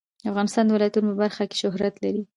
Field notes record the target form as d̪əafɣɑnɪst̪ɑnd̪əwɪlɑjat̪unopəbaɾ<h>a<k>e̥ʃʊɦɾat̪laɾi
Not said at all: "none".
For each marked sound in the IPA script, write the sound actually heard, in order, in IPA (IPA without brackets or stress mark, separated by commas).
x, k